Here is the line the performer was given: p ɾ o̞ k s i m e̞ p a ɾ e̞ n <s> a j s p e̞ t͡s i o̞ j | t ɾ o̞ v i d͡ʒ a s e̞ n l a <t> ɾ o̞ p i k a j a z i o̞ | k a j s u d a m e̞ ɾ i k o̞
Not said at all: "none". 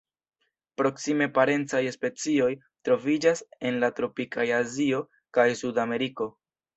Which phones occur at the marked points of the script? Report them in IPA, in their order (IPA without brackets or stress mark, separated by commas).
t͡s, t